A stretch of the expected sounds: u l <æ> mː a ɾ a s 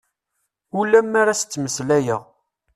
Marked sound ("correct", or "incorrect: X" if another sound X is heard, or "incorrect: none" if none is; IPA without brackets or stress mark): correct